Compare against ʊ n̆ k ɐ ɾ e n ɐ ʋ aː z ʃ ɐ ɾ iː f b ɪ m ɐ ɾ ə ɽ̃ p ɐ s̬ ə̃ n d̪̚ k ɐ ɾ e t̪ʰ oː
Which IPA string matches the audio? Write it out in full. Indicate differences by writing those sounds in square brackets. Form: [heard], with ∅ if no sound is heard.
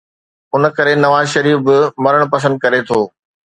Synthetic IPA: ʊ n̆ k ɐ ɾ e n ɐ ʋ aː z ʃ ɐ ɾ iː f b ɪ m ɐ ɾ ə ɽ̃ p ɐ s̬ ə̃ n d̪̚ k ɐ ɾ e t̪ʰ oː